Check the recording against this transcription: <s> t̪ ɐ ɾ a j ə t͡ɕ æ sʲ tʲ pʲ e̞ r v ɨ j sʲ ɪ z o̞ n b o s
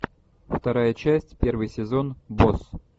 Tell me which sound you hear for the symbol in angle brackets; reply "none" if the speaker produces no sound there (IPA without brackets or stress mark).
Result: f